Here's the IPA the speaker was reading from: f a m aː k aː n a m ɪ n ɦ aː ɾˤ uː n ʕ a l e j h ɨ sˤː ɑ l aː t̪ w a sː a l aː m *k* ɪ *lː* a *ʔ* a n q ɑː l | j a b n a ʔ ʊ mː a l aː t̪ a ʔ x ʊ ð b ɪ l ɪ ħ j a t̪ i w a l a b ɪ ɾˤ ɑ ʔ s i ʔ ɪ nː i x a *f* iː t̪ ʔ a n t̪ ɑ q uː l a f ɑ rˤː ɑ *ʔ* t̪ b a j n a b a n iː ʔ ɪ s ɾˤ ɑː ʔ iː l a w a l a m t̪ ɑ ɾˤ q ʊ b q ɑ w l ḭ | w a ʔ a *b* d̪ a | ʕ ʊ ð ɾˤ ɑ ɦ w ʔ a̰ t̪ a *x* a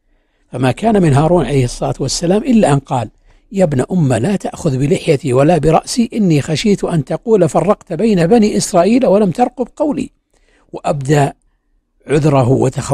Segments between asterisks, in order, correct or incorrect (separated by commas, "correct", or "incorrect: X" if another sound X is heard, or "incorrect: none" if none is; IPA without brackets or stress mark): incorrect: ʔ, correct, correct, incorrect: ʃ, incorrect: q, correct, correct